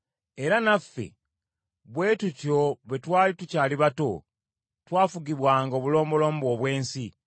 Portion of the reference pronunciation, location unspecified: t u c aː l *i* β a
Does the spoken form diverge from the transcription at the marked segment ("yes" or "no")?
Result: no